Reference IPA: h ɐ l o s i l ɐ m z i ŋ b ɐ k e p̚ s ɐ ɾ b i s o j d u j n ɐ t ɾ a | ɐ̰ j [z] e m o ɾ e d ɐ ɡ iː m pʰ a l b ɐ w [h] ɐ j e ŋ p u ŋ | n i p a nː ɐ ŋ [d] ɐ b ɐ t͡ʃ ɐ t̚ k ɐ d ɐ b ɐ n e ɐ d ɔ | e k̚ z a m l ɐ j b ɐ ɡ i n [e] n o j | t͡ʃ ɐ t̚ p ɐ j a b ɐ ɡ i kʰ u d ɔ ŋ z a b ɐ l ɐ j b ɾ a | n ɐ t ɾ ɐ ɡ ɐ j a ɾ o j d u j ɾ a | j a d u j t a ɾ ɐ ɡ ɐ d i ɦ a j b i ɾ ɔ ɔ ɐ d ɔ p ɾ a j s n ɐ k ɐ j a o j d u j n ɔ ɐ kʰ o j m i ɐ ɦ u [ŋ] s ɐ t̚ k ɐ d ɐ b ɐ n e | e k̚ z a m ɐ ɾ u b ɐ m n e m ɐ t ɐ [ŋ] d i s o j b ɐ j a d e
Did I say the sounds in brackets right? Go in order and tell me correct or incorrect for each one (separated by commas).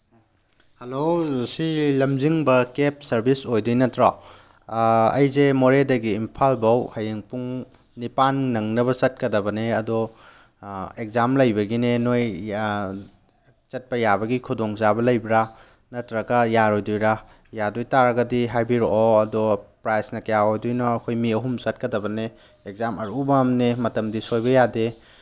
correct, correct, incorrect, correct, incorrect, incorrect